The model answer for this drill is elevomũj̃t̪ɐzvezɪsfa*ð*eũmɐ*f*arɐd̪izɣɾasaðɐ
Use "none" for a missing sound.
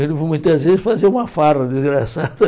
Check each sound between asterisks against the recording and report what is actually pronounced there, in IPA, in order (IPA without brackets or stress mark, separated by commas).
z, f